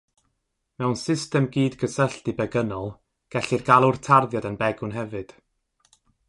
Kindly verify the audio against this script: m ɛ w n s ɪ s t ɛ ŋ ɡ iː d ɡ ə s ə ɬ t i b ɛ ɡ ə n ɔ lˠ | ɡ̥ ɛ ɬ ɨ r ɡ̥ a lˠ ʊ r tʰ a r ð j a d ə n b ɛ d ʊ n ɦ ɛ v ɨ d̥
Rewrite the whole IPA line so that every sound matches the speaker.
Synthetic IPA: m ɛ w n s ɪ s t ɛ m ɡ iː d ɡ ə s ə ɬ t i b ɛ ɡ ə n ɔ lˠ | ɡ̥ ɛ ɬ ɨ r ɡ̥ a lˠ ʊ r tʰ a r ð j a d ə n b ɛ ɡ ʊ n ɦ ɛ v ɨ d̥

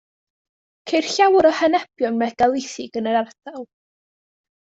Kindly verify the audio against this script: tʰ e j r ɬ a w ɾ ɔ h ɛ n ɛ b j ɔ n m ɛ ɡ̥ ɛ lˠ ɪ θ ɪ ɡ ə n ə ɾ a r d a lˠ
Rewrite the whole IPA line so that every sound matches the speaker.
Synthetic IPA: kʰ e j r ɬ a w ɾ ɔ h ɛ n ɛ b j ɔ n m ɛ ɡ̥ a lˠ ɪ θ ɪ ɡ ə n ə ɾ a r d a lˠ

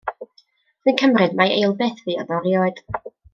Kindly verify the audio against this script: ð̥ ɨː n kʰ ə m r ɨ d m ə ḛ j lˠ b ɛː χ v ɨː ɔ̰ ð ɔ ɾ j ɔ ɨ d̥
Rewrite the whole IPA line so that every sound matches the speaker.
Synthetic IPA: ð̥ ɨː n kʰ ə m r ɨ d m a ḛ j lˠ b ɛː θ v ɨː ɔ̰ ð ɔ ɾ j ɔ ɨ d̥

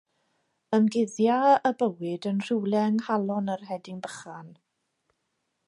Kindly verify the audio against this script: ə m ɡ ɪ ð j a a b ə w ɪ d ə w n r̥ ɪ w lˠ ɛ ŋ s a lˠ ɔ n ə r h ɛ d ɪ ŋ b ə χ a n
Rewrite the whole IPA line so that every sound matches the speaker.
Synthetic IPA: ə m ɡ ɪ ð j a ə b ə w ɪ d ə n r̥ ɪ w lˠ ɛ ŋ h a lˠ ɔ n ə r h ɛ d ɪ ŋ b ə χ a n

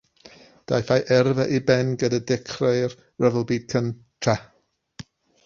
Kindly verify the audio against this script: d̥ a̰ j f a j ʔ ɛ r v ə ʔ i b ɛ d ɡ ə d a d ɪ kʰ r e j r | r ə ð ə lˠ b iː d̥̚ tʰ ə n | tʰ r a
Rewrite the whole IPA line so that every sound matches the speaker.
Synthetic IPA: d̥ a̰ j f a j ʔ ɛ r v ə ʔ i b ɛ n ɡ ə d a d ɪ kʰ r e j r | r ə v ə lˠ b iː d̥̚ kʰ ə n | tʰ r a

